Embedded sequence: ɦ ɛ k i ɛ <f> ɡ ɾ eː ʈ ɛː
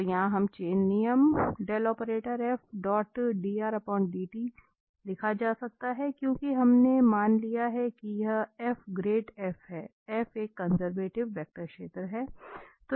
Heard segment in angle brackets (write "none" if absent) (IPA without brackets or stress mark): f